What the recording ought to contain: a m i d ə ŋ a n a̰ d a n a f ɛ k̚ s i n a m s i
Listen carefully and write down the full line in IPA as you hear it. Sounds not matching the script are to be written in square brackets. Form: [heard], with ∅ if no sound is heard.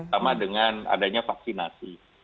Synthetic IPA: a m [a] d ə ŋ a n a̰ d a [ɲ] a f [a] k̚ s i n a [∅] s i

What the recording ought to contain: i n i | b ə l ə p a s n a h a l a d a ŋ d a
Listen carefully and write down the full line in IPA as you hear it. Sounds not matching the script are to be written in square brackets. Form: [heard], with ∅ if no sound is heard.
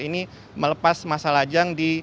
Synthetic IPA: i n i | [m] ə l ə p a s [m] a [s] a l a [d͡ʒ] a ŋ d [i]

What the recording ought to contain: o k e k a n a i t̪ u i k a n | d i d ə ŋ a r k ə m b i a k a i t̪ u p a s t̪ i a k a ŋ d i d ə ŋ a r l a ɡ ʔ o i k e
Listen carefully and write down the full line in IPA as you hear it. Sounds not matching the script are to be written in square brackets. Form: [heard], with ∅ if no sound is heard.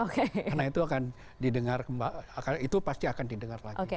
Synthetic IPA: o k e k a n a i t̪ u [a] k a n | d i d ə ŋ a r k ə m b [a] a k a i t̪ u p a s t̪ i a k a [n] d i d ə ŋ a r l a ɡ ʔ o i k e

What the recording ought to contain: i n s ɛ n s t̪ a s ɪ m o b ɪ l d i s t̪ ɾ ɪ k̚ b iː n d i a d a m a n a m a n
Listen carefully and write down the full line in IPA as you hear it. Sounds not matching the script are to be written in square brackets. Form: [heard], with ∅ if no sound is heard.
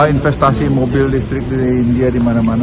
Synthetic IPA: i n [f] ɛ [∅] s t̪ a s [i] m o b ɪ l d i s t̪ ɾ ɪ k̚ [d] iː n d i a d [i] m a n a m a n

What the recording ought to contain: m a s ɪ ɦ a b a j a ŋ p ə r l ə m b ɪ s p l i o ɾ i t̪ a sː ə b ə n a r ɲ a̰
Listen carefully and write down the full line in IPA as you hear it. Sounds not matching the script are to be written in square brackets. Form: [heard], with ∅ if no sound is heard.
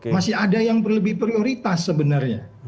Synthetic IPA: m a s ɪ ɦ a [d] a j a ŋ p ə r l ə [∅] b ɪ [h] p [ɾ] i o ɾ i t̪ a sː ə b ə n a r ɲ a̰

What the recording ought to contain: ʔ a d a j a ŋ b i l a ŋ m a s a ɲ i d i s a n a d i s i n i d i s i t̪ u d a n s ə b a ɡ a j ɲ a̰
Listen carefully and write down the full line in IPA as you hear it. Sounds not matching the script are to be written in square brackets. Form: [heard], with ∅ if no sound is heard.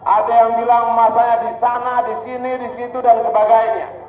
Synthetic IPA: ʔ a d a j a ŋ b i l a ŋ m a s a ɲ [a] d i s a n a d i s i n i d i s i t̪ u d a n s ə b a ɡ a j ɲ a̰

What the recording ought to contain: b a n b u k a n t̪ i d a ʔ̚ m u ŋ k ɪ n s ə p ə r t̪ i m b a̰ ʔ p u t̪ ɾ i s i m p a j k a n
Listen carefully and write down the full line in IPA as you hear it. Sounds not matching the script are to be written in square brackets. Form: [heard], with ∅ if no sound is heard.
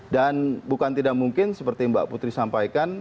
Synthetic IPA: [d] a n b u k a n t̪ i d a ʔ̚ m u ŋ k ɪ n s ə p ə r t̪ i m b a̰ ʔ p u t̪ ɾ i s [a] m p a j k a n

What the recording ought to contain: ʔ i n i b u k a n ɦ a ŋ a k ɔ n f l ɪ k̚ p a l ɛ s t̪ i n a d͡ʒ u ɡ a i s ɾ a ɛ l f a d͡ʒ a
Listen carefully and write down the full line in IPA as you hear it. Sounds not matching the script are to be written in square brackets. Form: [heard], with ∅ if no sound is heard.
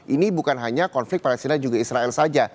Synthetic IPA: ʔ i n i b u k a n ɦ a [ɲ] a k ɔ n f l ɪ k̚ p a l ɛ s t̪ i n a d͡ʒ u ɡ a i s ɾ a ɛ l [s] a d͡ʒ a

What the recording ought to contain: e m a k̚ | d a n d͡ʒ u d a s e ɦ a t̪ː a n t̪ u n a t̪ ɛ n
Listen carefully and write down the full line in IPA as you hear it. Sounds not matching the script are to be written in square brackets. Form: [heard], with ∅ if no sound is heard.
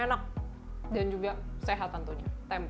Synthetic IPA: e [n] a k̚ | d a n d͡ʒ u [ɡ] a s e ɦ a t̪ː a n t̪ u [ɲ] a t̪ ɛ [m]

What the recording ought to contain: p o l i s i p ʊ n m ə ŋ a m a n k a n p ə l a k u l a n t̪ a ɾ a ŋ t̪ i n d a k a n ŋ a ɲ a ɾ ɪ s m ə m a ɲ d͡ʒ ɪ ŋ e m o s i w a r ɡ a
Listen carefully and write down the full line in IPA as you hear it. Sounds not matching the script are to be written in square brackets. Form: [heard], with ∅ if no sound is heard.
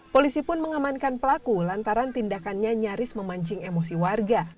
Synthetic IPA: p o l i s i p ʊ n m ə ŋ a m a n k a n p ə l a k u l a n t̪ a ɾ a [n] t̪ i n d a k a n [ɲ] a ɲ a ɾ ɪ s m ə m a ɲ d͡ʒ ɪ ŋ e m o s i w a r ɡ a

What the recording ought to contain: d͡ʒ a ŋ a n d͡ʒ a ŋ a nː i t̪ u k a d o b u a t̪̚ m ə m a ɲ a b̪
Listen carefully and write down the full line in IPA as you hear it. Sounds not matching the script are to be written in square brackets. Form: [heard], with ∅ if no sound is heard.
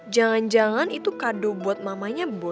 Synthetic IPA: d͡ʒ a ŋ a n d͡ʒ a ŋ a [n] i t̪ u k a d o b u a t̪̚ m [a] m a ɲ a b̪

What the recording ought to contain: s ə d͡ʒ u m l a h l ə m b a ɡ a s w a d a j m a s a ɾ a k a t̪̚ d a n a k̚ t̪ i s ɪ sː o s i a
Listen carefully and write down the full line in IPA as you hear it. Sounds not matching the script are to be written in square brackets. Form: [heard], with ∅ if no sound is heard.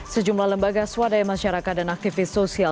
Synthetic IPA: s ə d͡ʒ u m l a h l ə m b a ɡ a s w a d a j m a [ʃ] a ɾ a k a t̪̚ d a n a k̚ t̪ i [f] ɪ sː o s i a

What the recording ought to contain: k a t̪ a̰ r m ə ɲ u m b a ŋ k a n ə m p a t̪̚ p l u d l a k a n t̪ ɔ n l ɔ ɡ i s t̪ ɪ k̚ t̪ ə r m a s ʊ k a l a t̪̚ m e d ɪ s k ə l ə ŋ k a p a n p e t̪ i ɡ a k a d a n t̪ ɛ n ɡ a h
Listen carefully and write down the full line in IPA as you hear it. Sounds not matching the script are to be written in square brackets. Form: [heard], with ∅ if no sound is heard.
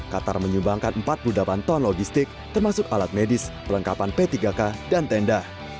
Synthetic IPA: k a t̪ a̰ r m ə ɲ u m b a ŋ k a n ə m p a t̪̚ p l u d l a [p] a n t̪ ɔ n l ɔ ɡ i s t̪ ɪ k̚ t̪ ə r m a s ʊ k a l a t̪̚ m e d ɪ s [p] ə l ə ŋ k a p a n p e t̪ i ɡ a k a d a n t̪ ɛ n [d] a h

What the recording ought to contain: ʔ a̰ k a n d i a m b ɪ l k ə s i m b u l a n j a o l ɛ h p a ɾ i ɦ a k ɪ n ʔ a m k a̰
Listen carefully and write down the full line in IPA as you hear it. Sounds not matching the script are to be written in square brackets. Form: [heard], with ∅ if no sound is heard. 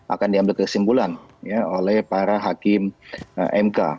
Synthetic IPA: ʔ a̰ k a n d i a m b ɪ l k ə s i m b u l a n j a o l ɛ h p a ɾ [a] ɦ a k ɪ [m] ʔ [ɛ] m k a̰

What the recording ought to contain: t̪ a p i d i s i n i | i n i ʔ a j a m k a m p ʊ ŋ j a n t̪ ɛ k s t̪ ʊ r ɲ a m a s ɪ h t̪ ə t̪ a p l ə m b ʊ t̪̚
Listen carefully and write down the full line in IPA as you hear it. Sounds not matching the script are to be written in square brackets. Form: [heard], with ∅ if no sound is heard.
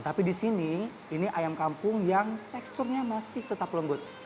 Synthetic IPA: t̪ a p i d i s i n i | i n i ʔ a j a m k a m p ʊ ŋ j a [ŋ] t̪ ɛ k s t̪ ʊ r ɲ a m a s ɪ h t̪ ə t̪ a p l ə m b ʊ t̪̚

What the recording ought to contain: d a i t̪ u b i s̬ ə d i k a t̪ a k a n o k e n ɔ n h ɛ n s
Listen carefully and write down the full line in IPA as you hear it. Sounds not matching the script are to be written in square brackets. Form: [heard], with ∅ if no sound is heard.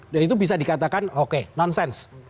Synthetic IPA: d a i t̪ u b i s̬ [a] d i k a t̪ a k a n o k e n ɔ n [s] ɛ n s

